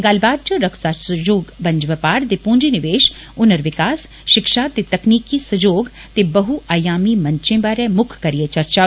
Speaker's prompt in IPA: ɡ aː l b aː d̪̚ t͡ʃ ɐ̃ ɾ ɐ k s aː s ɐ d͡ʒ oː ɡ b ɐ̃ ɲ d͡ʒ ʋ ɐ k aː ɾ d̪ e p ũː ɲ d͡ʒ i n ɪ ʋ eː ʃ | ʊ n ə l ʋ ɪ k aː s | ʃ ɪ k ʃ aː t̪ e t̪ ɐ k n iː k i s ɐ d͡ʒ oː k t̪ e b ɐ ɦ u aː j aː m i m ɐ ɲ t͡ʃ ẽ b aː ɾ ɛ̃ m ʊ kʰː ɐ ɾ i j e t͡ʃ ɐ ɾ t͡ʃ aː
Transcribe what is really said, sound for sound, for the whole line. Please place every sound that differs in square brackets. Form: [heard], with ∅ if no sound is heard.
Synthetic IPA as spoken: ɡ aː l b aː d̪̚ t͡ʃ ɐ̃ ɾ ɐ k s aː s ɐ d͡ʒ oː ɡ b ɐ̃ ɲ d͡ʒ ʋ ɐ [p] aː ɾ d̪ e p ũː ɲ d͡ʒ i n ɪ ʋ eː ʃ | ʊ n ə [ɾ] ʋ ɪ k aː s | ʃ ɪ k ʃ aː t̪ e t̪ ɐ k n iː k i s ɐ d͡ʒ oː [ɡ] t̪ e b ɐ ɦ u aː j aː m i m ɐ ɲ t͡ʃ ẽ b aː ɾ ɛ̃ m ʊ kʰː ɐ ɾ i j e t͡ʃ ɐ ɾ t͡ʃ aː